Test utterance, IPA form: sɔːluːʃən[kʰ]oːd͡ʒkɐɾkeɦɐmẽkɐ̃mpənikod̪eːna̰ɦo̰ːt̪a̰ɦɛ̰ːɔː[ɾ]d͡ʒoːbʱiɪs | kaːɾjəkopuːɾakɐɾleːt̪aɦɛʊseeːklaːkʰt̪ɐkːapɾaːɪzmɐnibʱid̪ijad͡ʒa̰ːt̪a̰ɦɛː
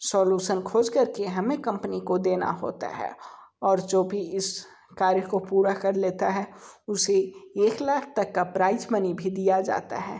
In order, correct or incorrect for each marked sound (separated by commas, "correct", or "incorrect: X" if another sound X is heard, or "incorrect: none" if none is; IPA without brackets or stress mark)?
correct, correct